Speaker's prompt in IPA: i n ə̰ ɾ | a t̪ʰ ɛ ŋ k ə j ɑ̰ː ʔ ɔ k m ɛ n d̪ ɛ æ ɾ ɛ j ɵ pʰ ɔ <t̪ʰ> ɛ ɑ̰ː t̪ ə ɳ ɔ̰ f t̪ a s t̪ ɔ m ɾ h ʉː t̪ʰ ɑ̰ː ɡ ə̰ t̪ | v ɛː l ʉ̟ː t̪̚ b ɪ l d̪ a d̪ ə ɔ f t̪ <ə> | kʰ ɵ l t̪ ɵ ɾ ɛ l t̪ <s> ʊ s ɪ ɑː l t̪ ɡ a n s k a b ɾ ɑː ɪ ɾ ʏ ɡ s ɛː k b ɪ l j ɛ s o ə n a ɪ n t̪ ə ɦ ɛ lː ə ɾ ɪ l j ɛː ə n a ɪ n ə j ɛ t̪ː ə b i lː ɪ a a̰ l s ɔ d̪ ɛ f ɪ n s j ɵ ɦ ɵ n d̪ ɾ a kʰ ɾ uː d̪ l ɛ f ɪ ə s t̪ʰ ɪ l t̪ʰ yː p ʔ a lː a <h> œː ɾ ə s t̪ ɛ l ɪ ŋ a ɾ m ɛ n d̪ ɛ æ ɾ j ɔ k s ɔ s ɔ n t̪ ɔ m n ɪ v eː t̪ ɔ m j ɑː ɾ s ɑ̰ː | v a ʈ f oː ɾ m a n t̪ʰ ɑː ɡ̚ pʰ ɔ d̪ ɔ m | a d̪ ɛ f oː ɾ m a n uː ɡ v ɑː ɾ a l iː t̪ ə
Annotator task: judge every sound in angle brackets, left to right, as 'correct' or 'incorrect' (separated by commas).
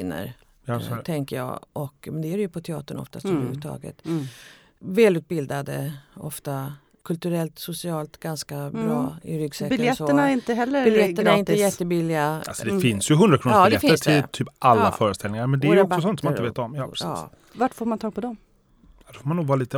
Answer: correct, incorrect, correct, incorrect